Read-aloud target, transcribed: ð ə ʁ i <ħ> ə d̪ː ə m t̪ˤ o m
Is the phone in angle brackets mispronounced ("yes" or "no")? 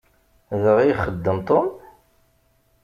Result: yes